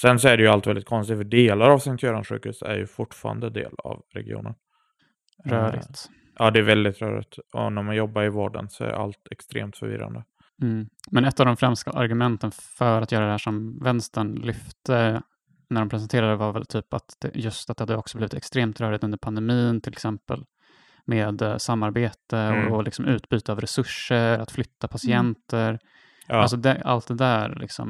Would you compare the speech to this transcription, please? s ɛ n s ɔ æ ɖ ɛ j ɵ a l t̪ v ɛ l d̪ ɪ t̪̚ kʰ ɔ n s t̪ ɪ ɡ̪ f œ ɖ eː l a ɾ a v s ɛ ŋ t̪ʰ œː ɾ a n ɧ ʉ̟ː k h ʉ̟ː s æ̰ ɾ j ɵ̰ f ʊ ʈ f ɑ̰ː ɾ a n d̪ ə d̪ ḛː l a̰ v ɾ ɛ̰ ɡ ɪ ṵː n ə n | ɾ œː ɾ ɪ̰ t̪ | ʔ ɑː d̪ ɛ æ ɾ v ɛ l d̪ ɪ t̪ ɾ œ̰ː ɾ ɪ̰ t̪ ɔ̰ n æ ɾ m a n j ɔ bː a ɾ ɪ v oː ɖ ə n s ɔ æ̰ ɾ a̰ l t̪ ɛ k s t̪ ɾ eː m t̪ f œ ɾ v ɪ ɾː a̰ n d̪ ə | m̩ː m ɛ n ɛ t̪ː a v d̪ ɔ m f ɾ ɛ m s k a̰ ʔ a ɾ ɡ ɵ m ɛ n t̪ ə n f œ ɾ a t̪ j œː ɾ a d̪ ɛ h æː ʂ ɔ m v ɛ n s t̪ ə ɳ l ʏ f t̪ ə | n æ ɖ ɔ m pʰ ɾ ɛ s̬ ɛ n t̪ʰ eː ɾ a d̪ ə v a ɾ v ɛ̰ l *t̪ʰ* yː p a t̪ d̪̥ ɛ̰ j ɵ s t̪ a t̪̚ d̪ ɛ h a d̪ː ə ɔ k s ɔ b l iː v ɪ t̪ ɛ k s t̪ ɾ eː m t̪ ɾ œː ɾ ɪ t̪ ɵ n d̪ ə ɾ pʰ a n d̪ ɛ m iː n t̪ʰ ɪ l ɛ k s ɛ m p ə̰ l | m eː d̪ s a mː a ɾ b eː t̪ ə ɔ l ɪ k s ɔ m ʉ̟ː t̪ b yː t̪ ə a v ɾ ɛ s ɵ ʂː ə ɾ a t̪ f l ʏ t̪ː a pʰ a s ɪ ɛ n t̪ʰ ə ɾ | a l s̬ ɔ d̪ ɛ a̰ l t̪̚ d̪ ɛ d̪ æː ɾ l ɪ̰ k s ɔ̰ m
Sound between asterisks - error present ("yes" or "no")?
no